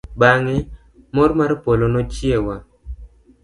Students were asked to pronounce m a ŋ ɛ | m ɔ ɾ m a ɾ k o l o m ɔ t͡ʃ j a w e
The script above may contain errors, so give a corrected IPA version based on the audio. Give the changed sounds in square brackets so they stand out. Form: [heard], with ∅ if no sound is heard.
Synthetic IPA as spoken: [b] a ŋ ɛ | m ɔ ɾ m a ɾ [p] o l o [n] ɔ t͡ʃ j [e] w [a]